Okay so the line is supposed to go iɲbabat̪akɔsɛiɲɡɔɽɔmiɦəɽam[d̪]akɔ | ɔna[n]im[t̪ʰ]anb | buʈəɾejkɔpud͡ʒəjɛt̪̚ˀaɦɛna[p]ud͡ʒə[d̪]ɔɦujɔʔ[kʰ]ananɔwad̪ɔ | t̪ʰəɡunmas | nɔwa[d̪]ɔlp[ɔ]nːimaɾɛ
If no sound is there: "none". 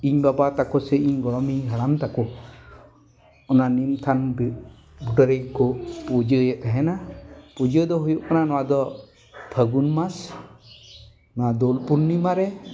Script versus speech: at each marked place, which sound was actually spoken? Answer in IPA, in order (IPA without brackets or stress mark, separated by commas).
t̪, n, t̪ʰ, p, d̪, k, d̪, u